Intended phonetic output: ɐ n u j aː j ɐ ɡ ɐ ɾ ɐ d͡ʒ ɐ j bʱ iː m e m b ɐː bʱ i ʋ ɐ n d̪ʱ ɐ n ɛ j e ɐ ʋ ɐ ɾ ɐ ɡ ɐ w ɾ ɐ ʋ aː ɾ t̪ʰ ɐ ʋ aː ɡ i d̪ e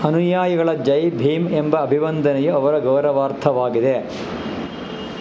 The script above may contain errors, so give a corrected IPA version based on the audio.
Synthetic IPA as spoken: ɐ n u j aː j ɐ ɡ ɐ ɭ ɐ d͡ʒ ɐ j bʱ iː m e m b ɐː bʱ i ʋ ɐ n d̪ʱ ɐ n ɛ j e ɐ ʋ ɐ ɾ ɐ ɡ ɐ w ɾ ɐ ʋ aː ɾ t̪ʰ ɐ ʋ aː ɡ i d̪ e